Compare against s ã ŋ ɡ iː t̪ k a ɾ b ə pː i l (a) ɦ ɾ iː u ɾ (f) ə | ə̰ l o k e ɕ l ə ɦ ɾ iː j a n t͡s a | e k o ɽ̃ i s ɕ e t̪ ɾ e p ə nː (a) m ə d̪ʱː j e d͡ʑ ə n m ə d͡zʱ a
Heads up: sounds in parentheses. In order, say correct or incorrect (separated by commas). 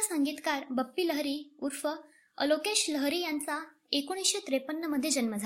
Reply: incorrect, correct, incorrect